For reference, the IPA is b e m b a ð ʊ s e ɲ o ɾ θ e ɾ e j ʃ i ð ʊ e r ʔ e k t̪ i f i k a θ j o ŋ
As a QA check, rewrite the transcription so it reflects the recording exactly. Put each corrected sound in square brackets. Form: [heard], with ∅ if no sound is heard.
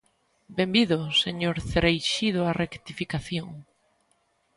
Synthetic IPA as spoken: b e m b [i] ð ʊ s e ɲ o ɾ θ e ɾ e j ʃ i ð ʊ [a] r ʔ e k t̪ i f i k a θ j o ŋ

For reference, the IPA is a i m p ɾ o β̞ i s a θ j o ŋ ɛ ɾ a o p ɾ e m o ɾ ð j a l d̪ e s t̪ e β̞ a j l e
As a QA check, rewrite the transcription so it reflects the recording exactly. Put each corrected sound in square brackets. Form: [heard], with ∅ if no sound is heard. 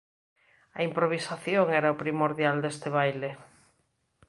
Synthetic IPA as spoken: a i m p ɾ o β̞ i s a θ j o ŋ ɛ ɾ a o p ɾ [i] m o ɾ ð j a l d̪ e s t̪ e β̞ a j l e

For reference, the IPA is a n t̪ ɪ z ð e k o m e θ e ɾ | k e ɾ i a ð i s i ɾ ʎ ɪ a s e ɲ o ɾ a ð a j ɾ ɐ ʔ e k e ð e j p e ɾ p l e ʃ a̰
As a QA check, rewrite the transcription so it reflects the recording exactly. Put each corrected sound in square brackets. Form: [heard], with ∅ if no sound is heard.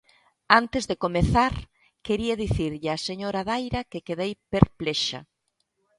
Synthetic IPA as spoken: a n t̪ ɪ z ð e k o m e θ [a] ɾ | k e ɾ i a ð i [θ] i ɾ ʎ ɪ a s e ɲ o ɾ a ð a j ɾ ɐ [k] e k e ð e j p e ɾ p l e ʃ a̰

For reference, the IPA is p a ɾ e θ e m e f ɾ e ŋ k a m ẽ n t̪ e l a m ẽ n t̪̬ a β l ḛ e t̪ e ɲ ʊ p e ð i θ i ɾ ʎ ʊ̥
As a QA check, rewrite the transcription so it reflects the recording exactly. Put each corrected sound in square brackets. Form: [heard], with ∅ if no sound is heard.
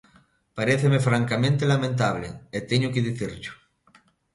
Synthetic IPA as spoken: p a ɾ e θ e m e f ɾ [a] ŋ k a m ẽ n t̪ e l a m ẽ n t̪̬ a β l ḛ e t̪ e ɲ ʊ [k] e ð i θ i ɾ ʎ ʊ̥

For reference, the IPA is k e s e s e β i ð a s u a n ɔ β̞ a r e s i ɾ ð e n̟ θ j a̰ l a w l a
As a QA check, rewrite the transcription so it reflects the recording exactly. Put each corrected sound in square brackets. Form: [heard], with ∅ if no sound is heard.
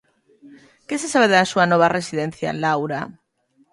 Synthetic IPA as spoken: k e s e s [a] β [e] ð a s u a n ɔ β̞ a r e s i [∅] ð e n̟ θ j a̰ l a w [ɾ] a

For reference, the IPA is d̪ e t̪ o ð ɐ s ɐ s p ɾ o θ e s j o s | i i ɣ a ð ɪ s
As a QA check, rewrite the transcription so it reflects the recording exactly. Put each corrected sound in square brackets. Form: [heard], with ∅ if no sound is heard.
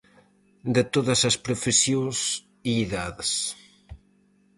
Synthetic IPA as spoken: d̪ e t̪ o ð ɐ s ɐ s p ɾ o [f] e s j o s | i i [ð] a ð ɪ s

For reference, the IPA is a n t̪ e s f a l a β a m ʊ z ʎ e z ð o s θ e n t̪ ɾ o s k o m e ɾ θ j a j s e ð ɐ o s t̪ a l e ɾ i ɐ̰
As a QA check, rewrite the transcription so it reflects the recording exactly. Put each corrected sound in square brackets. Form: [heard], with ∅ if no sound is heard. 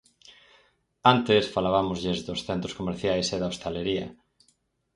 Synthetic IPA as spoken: a n t̪ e s f a l a β a m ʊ z ʎ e z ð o s θ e n t̪ ɾ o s k o m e ɾ θ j a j s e ð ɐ o s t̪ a l e ɾ i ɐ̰

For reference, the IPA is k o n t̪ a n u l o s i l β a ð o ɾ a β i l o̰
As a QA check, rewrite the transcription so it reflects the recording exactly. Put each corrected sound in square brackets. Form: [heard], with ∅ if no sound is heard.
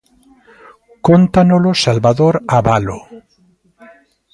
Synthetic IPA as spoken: k o n t̪ a n [o] l o s [a] l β a ð o ɾ a β [a] l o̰

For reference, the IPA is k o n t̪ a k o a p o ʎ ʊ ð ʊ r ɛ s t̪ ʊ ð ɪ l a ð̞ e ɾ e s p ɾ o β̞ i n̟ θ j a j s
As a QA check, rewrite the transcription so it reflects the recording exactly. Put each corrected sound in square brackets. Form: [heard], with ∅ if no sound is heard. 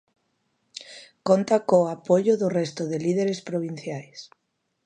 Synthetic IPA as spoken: k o n t̪ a k o a p o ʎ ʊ ð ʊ r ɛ s t̪ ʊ ð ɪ l [i] ð̞ e ɾ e s p ɾ o β̞ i n̟ θ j a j s

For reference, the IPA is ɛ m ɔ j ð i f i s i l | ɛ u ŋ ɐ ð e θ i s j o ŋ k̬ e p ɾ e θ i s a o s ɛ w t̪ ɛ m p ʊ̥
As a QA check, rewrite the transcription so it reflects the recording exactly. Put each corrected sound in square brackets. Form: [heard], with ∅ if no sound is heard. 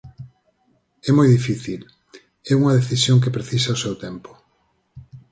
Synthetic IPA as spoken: ɛ m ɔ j ð i f i [θ] i l | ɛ u ŋ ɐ ð e θ i s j o ŋ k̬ e p ɾ e θ i s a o s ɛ w t̪ ɛ m p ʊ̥

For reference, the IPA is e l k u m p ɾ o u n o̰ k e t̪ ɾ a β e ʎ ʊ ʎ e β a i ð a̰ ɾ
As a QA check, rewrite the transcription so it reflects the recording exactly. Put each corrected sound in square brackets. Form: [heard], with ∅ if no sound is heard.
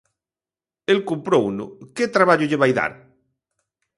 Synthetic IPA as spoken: e l k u m p ɾ o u n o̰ k e t̪ ɾ a β [a] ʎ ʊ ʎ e β a [j] ð a̰ ɾ

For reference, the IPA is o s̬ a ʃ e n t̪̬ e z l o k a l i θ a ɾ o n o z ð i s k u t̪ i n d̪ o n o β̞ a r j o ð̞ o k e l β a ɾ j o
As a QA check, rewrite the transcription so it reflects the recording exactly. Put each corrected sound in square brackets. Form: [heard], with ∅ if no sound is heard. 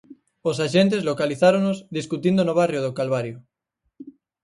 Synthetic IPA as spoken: o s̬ a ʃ e n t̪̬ e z l o k a l i θ a ɾ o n o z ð i s k u t̪ i n d̪ o n o β̞ a r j o ð̞ o k [a] l β a ɾ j o

